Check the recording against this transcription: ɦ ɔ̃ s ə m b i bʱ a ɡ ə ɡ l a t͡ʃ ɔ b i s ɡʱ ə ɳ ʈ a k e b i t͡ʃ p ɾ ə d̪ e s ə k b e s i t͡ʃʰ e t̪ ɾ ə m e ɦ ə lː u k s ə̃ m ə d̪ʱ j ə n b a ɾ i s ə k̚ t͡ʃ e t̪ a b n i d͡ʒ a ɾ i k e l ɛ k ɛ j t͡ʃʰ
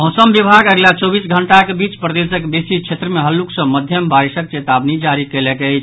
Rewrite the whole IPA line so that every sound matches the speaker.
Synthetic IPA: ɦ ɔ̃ s ə m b i bʱ a ɡ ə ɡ l a t͡ʃ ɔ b i s ɡʱ ə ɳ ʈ a k e b i t͡ʃ p ɾ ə d̪ e s ə k b e s i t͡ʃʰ e t̪ ɾ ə m e ɦ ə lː u k s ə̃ m ə d̪ʱ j ə m b a ɾ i s ə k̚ t͡ʃ e t̪ a b n i d͡ʒ a ɾ i k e l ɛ k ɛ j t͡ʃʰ